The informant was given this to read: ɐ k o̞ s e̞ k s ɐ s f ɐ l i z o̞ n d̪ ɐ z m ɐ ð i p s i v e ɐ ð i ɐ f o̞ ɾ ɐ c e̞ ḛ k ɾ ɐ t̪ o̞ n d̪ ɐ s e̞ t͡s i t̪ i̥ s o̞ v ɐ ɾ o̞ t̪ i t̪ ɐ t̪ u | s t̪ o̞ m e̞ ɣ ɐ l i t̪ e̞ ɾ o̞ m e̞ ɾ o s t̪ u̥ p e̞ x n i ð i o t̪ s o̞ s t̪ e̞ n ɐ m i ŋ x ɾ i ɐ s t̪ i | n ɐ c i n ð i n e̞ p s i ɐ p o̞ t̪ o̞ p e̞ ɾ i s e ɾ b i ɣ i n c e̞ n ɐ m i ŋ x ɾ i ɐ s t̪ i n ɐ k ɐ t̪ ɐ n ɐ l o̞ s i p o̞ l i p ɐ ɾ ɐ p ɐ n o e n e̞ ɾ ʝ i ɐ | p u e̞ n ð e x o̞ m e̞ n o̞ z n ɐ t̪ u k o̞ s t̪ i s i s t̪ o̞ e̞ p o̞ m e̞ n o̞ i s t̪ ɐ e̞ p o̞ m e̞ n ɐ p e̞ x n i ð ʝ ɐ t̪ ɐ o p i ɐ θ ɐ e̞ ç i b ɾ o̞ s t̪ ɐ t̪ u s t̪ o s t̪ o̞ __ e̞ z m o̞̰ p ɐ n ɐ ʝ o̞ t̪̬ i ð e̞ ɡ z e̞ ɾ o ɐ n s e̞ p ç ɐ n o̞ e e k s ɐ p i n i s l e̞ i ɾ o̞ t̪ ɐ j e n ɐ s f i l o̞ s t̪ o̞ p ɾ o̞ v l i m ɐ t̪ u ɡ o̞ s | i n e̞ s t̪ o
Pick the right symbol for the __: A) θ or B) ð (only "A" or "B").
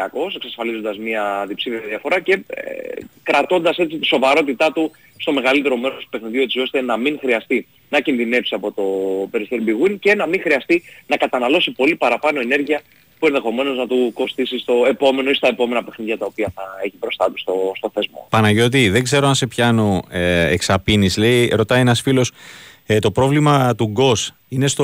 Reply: A